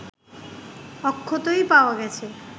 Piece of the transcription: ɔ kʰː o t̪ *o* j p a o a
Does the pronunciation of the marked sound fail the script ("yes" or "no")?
no